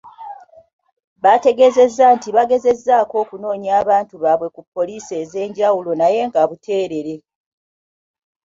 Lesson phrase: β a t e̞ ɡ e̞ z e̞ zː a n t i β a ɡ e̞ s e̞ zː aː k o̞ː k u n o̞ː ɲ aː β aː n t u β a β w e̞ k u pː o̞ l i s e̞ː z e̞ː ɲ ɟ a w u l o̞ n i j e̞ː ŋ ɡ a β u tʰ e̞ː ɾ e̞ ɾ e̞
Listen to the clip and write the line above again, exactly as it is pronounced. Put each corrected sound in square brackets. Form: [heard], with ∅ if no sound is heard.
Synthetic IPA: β a t e̞ ɡ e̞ z e̞ zː a n t i β a ɡ e̞ [z] e̞ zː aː k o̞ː k u n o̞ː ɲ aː β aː n t u β a β w e̞ k u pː o̞ l i s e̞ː z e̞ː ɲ ɟ a w u l o̞ n [a] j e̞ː ŋ ɡ a β u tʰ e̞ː ɾ e̞ ɾ e̞